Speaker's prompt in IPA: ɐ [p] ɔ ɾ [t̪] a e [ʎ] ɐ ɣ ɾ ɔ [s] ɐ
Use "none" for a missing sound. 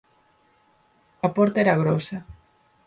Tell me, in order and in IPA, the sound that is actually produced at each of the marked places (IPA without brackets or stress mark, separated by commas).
p, t̪, ɾ, s